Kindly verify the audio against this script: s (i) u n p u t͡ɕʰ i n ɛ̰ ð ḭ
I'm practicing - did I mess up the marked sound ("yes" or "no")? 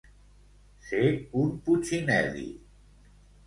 yes